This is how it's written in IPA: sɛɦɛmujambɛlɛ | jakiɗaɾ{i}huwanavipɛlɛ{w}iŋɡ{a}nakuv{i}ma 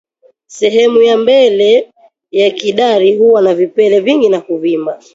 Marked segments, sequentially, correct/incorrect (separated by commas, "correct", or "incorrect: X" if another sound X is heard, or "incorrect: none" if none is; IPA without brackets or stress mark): correct, incorrect: v, incorrect: i, correct